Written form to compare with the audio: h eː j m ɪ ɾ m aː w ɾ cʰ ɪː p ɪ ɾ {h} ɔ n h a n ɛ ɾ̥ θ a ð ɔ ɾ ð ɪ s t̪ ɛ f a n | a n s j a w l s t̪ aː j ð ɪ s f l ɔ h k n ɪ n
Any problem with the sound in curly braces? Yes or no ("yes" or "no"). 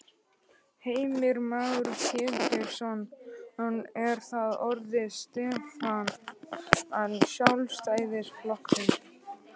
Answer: yes